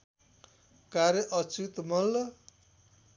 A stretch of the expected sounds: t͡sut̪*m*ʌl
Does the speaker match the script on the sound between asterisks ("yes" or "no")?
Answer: yes